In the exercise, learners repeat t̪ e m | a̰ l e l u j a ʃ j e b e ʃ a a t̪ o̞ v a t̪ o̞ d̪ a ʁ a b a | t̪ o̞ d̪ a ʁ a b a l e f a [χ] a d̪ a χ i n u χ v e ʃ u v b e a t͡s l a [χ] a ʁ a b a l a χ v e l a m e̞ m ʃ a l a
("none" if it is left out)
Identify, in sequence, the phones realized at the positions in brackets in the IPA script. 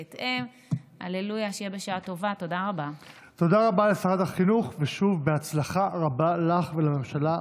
ʁ, χ

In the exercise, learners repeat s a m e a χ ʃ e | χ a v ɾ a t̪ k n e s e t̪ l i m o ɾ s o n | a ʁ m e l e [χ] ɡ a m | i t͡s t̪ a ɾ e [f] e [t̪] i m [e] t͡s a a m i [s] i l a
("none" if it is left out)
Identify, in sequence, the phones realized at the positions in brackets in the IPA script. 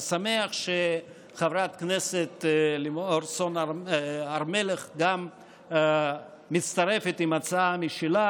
χ, f, t̪, a, ʃ

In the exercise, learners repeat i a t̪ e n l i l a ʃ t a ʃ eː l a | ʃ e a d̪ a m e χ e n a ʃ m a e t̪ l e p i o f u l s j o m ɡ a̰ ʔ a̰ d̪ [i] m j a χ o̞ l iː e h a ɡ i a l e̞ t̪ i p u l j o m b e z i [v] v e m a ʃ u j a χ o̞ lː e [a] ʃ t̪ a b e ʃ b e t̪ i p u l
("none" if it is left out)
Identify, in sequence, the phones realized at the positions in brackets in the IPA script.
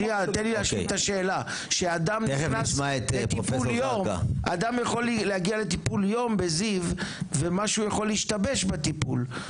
a, v, i

